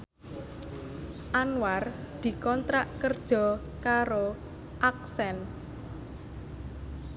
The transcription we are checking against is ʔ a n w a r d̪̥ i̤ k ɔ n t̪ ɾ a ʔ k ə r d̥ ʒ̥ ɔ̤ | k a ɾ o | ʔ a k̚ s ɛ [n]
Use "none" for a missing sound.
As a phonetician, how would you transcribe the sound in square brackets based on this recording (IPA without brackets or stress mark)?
n